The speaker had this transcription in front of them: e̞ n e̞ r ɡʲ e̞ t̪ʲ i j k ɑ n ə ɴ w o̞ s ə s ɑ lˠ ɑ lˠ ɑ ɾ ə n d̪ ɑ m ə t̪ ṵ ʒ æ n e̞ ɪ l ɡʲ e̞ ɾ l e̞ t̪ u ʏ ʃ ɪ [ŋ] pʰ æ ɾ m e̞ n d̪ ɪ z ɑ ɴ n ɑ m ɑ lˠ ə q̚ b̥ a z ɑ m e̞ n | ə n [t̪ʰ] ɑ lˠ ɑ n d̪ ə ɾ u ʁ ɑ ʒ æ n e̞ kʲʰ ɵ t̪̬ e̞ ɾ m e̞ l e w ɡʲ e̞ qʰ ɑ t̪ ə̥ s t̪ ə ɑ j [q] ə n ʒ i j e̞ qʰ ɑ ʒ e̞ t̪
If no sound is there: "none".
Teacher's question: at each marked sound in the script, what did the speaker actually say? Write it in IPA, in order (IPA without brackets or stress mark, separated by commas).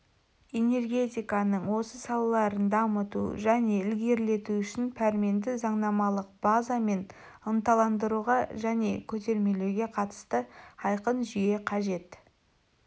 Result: n, t̪, q